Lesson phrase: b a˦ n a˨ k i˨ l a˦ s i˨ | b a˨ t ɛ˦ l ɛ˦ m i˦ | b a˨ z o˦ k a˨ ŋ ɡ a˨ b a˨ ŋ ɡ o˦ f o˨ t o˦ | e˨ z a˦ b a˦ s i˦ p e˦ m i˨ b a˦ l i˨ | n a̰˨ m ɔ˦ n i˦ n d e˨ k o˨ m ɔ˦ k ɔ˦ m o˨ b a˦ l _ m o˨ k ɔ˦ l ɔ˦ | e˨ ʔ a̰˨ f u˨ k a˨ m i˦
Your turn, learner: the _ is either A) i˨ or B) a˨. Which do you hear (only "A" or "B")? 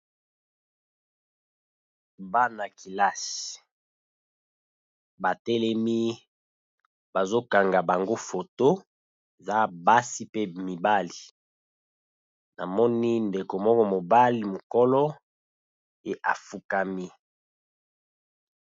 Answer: A